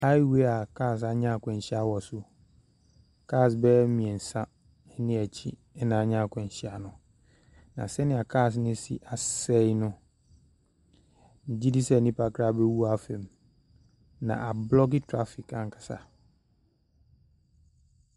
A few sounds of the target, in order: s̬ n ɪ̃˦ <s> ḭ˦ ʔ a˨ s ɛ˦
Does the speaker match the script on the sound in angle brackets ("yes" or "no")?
yes